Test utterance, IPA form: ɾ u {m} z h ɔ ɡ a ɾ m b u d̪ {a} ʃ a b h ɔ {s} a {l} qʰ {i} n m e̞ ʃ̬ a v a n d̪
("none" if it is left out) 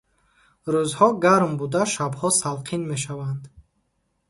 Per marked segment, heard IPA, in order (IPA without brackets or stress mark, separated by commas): none, a, s, l, i